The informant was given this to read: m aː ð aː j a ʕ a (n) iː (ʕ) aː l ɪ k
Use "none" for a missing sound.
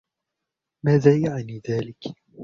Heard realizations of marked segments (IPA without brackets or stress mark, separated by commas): n, ð